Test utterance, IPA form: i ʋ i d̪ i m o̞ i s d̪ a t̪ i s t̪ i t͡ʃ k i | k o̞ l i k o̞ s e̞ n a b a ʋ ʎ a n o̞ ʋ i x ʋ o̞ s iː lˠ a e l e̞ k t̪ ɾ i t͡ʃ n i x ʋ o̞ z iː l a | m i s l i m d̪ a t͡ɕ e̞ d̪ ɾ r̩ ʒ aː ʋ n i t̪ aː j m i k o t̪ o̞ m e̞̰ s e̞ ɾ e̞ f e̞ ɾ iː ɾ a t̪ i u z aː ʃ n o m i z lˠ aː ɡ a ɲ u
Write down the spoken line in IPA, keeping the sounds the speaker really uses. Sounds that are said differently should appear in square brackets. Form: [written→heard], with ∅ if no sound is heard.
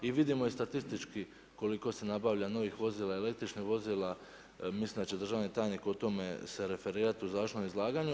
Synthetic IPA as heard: i ʋ i d̪ i m o̞ i s [d̪→t̪] a t̪ i s t̪ i t͡ʃ k i | k o̞ l i k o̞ s e̞ n a b a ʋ ʎ a n o̞ ʋ i x ʋ o̞ [s→z] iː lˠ a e l e̞ k t̪ ɾ i t͡ʃ n i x ʋ o̞ z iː l a | m i s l i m d̪ a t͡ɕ e̞ d̪ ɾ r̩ ʒ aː ʋ n i t̪ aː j [m→n] i k o t̪ o̞ m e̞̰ s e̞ ɾ e̞ f e̞ ɾ iː ɾ a t̪ i u z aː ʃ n o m i z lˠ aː ɡ a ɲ u

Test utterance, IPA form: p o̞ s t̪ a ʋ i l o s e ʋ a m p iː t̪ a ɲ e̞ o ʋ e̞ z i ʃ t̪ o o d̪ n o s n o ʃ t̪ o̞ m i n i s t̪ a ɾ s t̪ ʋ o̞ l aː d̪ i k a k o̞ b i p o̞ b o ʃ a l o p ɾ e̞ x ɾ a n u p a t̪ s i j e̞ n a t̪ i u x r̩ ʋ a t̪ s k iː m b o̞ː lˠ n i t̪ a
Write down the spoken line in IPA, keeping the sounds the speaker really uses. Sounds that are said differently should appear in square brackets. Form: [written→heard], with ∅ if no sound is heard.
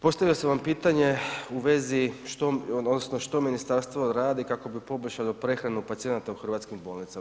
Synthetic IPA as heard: p o̞ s t̪ a ʋ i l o s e ʋ a m p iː t̪ a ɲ e̞ [o→u] ʋ e̞ z i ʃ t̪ o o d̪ n o s n o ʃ t̪ o̞ m i n i s t̪ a ɾ s t̪ ʋ o̞ [l→ɾ] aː d̪ i k a k o̞ b i p o̞ b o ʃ a l o p ɾ e̞ x ɾ a n u p a t̪ s i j e̞ n a t̪ [i→a] u x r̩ ʋ a t̪ s k [iː→i] m b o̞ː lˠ n i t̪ a

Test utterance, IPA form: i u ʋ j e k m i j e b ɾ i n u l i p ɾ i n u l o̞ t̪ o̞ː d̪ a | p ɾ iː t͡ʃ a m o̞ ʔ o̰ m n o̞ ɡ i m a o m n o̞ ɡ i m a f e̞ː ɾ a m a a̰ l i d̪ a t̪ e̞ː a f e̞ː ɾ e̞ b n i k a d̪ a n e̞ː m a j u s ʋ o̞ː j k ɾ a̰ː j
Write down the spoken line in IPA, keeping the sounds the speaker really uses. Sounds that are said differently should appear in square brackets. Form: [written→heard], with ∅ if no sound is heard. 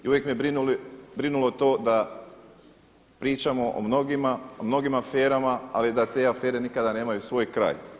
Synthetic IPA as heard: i u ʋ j e k m i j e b ɾ i n u l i [p→b] ɾ i n u l o̞ t̪ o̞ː d̪ a | p ɾ iː t͡ʃ a m o̞ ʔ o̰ m n o̞ ɡ i m a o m n o̞ ɡ i m a f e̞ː ɾ a m a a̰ l i d̪ a t̪ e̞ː a f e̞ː ɾ e̞ [b→∅] n i k a d̪ a n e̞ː m a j u s ʋ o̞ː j k ɾ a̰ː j

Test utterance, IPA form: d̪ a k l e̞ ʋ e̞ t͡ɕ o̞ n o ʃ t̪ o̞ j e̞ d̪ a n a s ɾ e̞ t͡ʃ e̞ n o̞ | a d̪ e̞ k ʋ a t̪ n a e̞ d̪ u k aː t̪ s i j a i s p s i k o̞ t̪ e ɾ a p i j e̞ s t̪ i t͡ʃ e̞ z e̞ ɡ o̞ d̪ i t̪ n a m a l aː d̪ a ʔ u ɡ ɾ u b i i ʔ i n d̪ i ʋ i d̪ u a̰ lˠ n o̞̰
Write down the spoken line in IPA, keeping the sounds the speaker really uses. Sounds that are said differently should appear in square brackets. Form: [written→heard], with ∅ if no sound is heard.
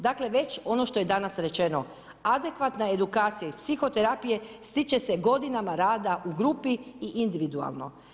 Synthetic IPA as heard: d̪ a k l e̞ ʋ e̞ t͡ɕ o̞ n o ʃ t̪ o̞ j e̞ d̪ a n a s ɾ e̞ t͡ʃ e̞ n o̞ | a d̪ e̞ k ʋ a t̪ n a e̞ d̪ u k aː t̪ s i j a i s p s i [k→x] o̞ t̪ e ɾ a p i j e̞ s t̪ i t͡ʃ e̞ [z→s] e̞ ɡ o̞ d̪ i [t̪→∅] n a m a [l→ɾ] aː d̪ a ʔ u ɡ ɾ u [b→p] i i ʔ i n d̪ i ʋ i d̪ u a̰ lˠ n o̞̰

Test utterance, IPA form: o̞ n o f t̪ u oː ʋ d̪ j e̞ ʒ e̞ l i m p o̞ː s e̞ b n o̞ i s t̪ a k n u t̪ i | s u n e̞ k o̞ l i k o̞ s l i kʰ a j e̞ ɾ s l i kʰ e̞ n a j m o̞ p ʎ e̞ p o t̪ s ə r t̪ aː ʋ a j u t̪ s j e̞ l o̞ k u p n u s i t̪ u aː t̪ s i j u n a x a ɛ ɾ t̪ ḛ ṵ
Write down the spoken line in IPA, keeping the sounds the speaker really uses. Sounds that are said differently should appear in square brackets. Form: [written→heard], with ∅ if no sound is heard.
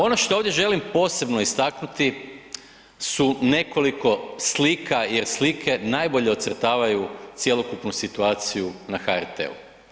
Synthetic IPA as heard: o̞ n o [f→ʃ] t̪ [u→o] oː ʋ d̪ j e̞ ʒ e̞ l i m p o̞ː s e̞ b n o̞ i s t̪ a k n u t̪ i | s u n e̞ k o̞ l i k o̞ s l i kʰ a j e̞ ɾ s l i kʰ e̞ n a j [m→b] o̞ [p→∅] ʎ e̞ [p→∅] o t̪ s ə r t̪ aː ʋ a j u t̪ s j e̞ l o̞ k u p n u s i t̪ u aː t̪ s i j u n a x a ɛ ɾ t̪ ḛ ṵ

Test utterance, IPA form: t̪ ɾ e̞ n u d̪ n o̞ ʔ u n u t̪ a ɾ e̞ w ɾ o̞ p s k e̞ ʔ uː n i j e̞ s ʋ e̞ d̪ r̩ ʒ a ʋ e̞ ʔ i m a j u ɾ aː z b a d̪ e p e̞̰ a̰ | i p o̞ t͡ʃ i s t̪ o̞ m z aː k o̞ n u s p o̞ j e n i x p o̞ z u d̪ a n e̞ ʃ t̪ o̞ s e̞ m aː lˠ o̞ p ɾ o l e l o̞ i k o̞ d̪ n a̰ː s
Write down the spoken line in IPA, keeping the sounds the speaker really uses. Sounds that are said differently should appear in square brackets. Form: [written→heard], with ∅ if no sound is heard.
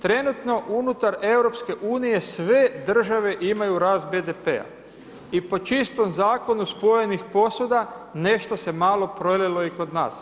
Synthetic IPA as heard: t̪ ɾ e̞ n u [d̪→t̪] n o̞ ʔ u n u t̪ a ɾ e̞ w ɾ o̞ p s k e̞ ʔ uː n i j e̞ s ʋ e̞ d̪ r̩ ʒ a ʋ e̞ ʔ i m a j u ɾ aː z b [a→e] d̪ e p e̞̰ a̰ | i p o̞ t͡ʃ i s t̪ o̞ m z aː k o̞ n u s p o̞ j e n i x p o̞ [z→s] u d̪ a n e̞ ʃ t̪ o̞ s e̞ m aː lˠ o̞ p ɾ o l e l o̞ i k o̞ d̪ n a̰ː s

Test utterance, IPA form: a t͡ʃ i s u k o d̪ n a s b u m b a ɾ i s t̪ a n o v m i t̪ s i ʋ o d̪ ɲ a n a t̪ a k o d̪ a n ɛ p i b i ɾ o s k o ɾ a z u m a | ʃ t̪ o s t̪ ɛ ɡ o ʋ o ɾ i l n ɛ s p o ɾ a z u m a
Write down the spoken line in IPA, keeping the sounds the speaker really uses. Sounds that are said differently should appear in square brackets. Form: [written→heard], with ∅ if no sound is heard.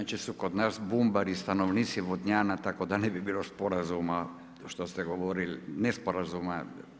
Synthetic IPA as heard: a t͡ʃ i s u k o d̪ n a s b u m b a ɾ i s t̪ a n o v [m→n] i t̪ s i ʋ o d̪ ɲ a n a t̪ a k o d̪ a n ɛ [p→b] i b i [ɾ→l] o s [k→p] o ɾ a z u m a | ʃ t̪ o s t̪ ɛ ɡ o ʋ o ɾ i l n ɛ s p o ɾ a z u m a

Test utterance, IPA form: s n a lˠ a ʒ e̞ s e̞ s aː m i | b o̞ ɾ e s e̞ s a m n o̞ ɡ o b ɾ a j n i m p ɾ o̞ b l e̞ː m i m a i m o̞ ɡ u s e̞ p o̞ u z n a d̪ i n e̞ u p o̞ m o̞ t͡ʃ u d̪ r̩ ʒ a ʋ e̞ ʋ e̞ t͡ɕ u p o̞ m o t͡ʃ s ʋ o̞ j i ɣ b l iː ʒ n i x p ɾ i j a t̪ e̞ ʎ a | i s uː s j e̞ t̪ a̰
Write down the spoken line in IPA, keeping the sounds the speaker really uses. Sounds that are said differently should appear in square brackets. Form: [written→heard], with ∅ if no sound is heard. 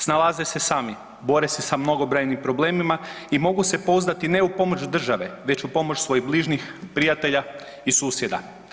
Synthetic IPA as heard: s n a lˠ a [ʒ→z] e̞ s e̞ s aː m i | b o̞ ɾ e s e̞ s a m n o̞ ɡ o b ɾ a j n i m p ɾ o̞ b l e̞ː m i m a i m o̞ ɡ u s e̞ p o̞ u z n a [d̪→t̪] i n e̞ u p o̞ m o̞ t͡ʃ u d̪ r̩ ʒ a ʋ e̞ ʋ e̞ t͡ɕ u p o̞ m o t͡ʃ s ʋ o̞ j i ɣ b l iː ʒ n i x p ɾ i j a t̪ e̞ ʎ a | i s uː s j e̞ [t̪→d̪] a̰

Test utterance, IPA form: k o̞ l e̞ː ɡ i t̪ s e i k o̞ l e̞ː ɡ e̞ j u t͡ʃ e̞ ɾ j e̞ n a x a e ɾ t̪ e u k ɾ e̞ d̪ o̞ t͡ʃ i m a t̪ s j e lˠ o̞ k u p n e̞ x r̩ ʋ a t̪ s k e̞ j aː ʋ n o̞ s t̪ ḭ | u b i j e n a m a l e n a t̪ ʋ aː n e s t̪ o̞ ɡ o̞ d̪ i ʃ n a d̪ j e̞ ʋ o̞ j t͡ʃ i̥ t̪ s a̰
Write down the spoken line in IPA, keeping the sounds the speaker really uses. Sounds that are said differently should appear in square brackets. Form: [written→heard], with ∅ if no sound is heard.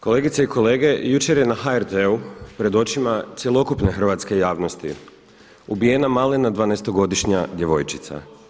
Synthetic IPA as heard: k o̞ l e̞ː ɡ i t̪ s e i k o̞ l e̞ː ɡ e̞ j u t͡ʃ e̞ ɾ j e̞ n a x a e ɾ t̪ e u [k→p] ɾ e̞ d̪ o̞ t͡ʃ i m a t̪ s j e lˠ o̞ k u p n e̞ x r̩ ʋ a t̪ s k e̞ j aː ʋ n o̞ s t̪ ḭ | u b i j e n a m a l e n a [t̪→d̪] ʋ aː n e s t̪ o̞ ɡ o̞ d̪ i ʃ [n→ɲ] a d̪ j e̞ ʋ o̞ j t͡ʃ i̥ t̪ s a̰

